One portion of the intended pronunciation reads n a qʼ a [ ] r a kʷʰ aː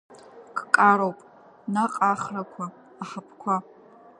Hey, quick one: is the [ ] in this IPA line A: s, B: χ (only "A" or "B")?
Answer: B